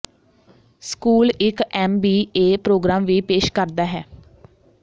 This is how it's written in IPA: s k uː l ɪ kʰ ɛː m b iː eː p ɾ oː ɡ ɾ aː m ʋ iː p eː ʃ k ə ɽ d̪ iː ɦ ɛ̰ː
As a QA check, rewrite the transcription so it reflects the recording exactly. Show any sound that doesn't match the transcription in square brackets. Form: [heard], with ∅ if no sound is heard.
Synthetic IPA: s k uː l ɪ [k] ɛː m b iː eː p ɾ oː ɡ ɾ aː m ʋ iː p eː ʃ k ə [ɾ] d̪ [aː] ɦ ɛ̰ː